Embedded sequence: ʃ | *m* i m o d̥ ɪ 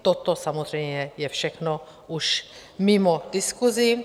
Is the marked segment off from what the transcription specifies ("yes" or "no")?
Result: no